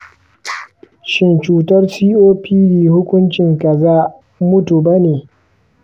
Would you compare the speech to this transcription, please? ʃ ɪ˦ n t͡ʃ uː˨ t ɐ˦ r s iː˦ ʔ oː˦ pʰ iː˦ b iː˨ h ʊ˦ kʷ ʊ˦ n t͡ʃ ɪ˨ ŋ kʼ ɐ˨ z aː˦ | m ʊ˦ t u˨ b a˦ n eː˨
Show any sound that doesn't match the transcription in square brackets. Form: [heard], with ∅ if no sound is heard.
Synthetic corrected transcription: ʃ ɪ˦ n t͡ʃ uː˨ t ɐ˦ r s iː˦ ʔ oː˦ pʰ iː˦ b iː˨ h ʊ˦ kʷ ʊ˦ n t͡ʃ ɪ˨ ŋ [k] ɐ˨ z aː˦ | m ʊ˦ t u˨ b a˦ n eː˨